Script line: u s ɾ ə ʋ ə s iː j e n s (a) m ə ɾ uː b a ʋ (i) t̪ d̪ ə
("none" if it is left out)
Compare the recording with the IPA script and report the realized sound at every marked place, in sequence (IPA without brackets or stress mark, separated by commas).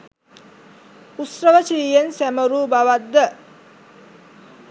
æ, a